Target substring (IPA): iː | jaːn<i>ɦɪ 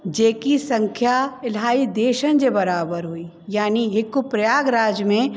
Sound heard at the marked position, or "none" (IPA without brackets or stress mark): i